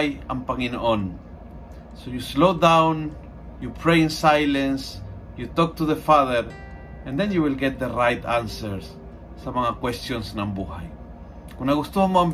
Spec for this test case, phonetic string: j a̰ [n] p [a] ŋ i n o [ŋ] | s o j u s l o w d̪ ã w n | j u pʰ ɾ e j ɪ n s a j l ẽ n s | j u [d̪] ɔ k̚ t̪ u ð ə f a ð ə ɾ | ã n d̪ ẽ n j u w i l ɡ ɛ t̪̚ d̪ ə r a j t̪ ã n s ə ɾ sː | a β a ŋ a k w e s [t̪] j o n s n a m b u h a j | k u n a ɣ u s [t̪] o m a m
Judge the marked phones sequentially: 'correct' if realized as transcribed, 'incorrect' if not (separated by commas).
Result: incorrect, correct, incorrect, incorrect, correct, correct